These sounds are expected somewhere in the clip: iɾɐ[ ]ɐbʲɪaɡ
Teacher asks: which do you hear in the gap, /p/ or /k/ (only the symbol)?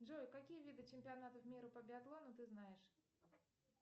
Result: p